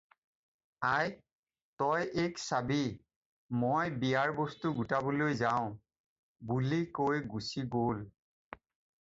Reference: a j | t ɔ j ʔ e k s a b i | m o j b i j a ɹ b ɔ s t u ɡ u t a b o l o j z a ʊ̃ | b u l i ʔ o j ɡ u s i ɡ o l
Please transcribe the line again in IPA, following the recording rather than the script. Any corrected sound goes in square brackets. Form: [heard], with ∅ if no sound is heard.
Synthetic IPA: a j | t ɔ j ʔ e k s a b i | m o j b i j a ɹ b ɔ s t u ɡ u t a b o l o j z a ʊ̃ | b u l i [k] o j ɡ u s i ɡ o l